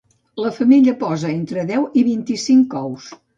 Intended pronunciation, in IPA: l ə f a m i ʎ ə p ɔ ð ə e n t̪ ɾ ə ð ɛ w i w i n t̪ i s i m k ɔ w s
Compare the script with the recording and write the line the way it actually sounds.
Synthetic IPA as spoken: l ə f ə m i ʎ ə p ɔ z ə e n t̪ ɾ ə ð ɛ w i β i n t̪ i s i ŋ k ɔ w s